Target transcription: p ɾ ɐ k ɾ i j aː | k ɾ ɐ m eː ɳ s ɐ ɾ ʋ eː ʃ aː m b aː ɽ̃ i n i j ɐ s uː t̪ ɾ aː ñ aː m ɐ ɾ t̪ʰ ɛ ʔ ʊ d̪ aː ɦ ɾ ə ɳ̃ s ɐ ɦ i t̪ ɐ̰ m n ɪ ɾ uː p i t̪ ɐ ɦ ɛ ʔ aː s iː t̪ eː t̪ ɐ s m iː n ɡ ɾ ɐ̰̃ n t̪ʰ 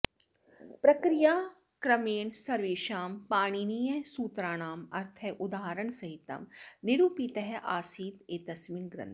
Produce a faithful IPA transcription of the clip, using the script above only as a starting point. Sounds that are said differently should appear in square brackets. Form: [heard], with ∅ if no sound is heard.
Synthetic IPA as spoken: p ɾ ɐ k ɾ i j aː | k ɾ ɐ m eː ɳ s ɐ ɾ ʋ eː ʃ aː m [p] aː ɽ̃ i n i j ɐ s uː t̪ ɾ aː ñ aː m ɐ ɾ t̪ʰ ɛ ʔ ʊ d̪ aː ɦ ɾ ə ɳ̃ s ɐ ɦ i t̪ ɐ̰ m n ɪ ɾ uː p i t̪ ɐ ɦ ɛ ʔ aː s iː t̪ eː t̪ ɐ s m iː n ɡ ɾ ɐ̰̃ n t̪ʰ